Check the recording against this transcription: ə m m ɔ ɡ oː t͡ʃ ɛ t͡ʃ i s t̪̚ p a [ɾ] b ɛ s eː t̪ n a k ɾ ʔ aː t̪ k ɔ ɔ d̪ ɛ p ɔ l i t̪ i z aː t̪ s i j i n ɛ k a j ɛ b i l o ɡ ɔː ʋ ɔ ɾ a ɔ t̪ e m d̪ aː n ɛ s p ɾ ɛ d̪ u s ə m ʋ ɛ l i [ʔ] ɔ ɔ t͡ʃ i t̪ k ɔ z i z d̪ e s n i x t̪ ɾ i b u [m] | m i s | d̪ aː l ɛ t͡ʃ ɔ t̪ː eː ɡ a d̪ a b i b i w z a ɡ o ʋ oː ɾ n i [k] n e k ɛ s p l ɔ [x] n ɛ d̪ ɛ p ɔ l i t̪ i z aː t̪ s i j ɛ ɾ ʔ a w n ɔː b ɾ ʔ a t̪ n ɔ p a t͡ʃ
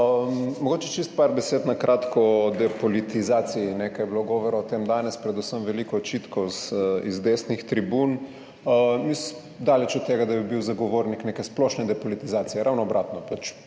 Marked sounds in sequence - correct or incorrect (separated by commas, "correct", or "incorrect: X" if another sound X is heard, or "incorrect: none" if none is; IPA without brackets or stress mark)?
correct, incorrect: k, incorrect: n, correct, incorrect: ʃ